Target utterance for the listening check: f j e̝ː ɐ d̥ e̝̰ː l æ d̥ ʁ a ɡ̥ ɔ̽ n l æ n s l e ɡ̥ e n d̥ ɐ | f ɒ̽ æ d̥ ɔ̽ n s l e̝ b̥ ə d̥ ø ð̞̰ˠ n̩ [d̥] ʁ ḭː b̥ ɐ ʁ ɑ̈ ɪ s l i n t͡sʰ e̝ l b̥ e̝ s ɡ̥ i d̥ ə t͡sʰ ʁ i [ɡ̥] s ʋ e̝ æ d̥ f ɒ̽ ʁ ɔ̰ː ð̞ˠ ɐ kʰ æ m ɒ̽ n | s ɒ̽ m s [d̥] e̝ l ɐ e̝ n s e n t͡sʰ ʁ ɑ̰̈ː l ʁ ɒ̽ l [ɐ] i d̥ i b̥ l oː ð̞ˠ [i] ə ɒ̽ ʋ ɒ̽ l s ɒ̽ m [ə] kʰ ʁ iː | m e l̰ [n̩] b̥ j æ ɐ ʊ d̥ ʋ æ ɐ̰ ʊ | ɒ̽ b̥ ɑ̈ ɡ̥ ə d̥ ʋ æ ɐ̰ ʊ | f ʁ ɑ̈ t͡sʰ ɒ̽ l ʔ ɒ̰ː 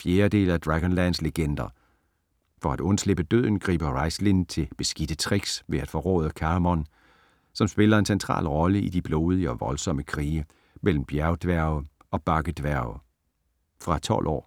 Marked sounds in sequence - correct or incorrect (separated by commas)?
incorrect, correct, incorrect, incorrect, correct, correct, incorrect